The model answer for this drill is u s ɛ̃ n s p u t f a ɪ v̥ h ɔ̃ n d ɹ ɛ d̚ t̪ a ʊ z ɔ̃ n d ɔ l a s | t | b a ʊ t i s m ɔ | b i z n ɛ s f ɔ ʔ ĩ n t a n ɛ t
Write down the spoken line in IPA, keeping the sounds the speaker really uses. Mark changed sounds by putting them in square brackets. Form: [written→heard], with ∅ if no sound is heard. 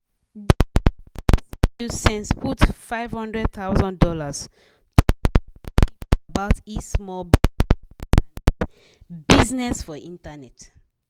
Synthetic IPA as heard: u s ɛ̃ n s p u t f a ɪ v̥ h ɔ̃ n d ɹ ɛ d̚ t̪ a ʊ z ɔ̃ n d ɔ l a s | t | b a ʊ t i s m ɔ | b i z n ɛ s f ɔ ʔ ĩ n t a n ɛ t